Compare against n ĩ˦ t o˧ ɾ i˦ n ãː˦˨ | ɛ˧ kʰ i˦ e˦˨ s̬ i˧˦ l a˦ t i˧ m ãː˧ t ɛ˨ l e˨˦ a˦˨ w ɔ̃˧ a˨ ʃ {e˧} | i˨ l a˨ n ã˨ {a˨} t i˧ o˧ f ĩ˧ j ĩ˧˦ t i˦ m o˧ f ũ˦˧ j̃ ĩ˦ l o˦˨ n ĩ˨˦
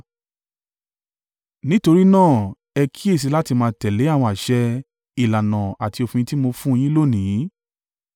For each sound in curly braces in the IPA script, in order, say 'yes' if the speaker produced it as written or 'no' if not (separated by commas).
no, yes